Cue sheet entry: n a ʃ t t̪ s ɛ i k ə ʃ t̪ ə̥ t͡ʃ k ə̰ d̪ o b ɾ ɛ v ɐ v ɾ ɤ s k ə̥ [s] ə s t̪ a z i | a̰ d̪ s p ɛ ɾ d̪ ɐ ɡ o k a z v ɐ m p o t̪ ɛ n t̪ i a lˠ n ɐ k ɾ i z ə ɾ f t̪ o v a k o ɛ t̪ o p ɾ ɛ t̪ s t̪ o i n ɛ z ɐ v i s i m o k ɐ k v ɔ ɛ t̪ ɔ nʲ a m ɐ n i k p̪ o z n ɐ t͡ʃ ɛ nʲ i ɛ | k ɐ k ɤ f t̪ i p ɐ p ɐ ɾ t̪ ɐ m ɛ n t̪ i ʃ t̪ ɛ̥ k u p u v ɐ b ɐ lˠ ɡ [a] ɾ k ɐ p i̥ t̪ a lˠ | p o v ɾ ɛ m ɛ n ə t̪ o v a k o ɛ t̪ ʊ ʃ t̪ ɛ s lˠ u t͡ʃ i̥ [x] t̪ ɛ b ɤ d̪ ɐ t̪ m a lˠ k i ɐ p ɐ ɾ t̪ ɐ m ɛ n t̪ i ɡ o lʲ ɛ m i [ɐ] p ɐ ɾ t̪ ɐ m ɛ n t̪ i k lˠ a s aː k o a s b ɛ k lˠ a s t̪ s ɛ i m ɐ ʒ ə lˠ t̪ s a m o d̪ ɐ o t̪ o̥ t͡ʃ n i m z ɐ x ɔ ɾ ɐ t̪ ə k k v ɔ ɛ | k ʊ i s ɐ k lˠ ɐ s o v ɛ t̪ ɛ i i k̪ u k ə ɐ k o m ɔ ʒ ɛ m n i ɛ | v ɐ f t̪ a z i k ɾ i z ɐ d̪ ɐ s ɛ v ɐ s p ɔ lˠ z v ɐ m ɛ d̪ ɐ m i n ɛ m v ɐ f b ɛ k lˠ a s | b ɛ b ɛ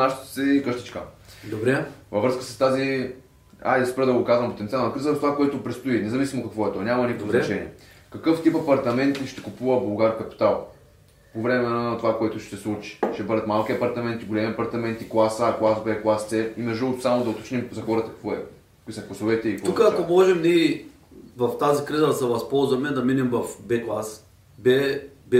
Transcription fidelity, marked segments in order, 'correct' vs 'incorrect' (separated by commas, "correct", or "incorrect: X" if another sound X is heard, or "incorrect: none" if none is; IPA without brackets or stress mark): correct, correct, incorrect: ʃ, correct